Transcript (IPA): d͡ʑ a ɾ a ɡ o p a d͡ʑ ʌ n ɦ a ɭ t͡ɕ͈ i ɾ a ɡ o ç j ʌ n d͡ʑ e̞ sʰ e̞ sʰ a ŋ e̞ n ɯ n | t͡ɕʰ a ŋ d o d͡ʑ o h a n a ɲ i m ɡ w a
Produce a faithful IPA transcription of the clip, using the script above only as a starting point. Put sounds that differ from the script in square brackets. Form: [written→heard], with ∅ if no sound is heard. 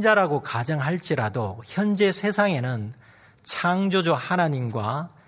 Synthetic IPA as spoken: d͡ʑ a ɾ a ɡ o [p→k] a d͡ʑ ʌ [n→ŋ] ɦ a ɭ t͡ɕ͈ i ɾ a [ɡ→d] o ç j ʌ n d͡ʑ e̞ sʰ e̞ sʰ a ŋ e̞ n ɯ n | t͡ɕʰ a ŋ [d→d͡ʑ] o d͡ʑ o h a n a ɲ i m ɡ w a